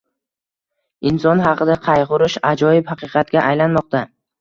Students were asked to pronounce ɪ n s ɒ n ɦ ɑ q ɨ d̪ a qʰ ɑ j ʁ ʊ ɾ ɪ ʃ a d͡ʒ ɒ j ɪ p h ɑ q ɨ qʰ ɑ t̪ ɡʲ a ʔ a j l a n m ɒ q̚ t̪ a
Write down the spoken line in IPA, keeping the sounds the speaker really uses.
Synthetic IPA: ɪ n s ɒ n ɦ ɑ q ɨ d̪ a qʰ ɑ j ʁ ʊ ɾ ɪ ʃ a d͡ʒ ɒ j ɪ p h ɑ q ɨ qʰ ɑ t̪ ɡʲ a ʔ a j l a n m ɒ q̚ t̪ a